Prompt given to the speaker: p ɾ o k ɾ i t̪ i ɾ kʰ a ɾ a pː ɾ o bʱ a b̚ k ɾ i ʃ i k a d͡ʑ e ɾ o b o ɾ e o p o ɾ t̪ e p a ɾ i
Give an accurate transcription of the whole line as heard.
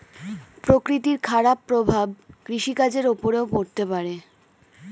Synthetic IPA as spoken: p ɾ o k ɾ i t̪ i ɾ kʰ a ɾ a pː ɾ o bʱ a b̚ k ɾ i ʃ i k a d͡ʑ e ɾ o p o ɾ e o p o ɾ t̪ e p a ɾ e